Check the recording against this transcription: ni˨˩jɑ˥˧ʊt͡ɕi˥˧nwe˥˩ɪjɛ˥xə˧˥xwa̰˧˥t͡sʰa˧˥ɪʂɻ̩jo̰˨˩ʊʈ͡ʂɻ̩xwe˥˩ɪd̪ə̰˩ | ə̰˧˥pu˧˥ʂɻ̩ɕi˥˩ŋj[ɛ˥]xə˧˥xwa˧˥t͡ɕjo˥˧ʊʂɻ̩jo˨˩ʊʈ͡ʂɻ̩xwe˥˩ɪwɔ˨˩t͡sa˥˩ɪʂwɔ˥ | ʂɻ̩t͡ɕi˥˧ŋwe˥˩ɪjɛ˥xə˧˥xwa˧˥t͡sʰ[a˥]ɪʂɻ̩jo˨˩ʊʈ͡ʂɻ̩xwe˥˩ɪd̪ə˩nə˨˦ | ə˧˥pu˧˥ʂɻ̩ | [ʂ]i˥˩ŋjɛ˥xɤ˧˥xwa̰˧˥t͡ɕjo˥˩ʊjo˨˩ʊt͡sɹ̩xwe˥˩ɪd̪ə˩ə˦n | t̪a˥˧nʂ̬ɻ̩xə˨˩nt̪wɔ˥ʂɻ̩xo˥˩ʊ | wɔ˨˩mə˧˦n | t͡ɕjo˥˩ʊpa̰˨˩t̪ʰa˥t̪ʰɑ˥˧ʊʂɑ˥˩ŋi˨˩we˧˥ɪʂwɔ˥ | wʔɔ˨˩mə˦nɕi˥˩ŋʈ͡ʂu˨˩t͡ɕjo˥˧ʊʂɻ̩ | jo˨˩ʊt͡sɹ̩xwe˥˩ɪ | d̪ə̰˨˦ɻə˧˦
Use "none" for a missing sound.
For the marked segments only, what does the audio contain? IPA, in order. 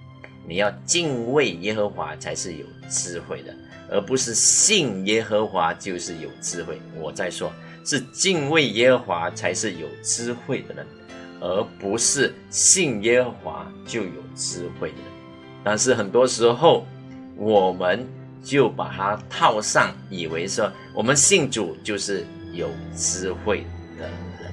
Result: ɛ˥, a˧˥, ɕ

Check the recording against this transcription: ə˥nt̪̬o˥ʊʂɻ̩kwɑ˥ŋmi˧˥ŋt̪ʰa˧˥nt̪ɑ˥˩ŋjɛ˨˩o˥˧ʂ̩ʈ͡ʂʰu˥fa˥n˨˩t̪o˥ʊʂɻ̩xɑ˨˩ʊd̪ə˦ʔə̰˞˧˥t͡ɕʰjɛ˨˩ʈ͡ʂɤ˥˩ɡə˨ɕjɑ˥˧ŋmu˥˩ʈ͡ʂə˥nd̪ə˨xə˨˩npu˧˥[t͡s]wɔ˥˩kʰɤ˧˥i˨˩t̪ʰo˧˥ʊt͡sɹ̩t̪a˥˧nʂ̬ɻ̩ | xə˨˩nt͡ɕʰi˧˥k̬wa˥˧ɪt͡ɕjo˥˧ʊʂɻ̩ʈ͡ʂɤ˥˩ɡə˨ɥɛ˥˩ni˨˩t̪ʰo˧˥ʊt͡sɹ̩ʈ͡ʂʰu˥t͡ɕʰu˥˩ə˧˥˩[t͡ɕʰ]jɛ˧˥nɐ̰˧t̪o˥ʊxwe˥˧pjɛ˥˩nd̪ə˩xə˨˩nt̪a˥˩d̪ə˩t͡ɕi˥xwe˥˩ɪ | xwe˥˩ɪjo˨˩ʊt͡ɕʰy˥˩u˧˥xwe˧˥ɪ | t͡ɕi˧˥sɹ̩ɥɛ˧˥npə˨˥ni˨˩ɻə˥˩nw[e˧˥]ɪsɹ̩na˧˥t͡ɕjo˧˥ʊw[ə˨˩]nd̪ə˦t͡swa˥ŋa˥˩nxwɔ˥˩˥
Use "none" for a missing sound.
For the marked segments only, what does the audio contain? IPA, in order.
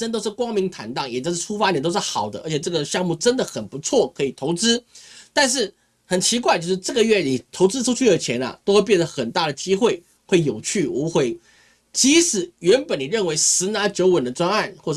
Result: t͡sʰ, t͡ɕʰ, e˧˥, ə˨˩

